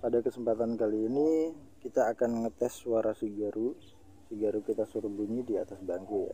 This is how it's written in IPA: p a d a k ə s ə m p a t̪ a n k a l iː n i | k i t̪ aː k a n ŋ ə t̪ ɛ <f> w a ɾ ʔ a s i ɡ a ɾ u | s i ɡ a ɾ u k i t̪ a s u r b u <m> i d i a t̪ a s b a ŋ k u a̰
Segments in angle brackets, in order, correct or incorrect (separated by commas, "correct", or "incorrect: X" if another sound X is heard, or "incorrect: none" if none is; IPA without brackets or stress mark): incorrect: s, incorrect: ɲ